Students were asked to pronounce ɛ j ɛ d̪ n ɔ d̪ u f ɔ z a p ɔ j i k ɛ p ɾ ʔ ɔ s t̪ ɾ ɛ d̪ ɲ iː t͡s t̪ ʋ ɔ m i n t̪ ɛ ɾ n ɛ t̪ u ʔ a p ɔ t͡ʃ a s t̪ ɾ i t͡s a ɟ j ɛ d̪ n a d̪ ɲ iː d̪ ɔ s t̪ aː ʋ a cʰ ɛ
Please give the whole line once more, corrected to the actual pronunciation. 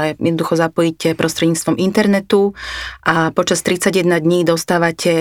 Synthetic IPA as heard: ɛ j ɛ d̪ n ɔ d̪ u x ɔ z a p ɔ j i c ɛ p ɾ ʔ ɔ s t̪ ɾ ɛ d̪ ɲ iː t͡s t̪ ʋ ɔ m i n t̪ ɛ ɾ n ɛ t̪ u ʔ a p ɔ t͡ʃ a s t̪ ɾ i t͡s a ɟ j ɛ d̪ n a d̪ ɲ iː d̪ ɔ s t̪ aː ʋ a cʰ ɛ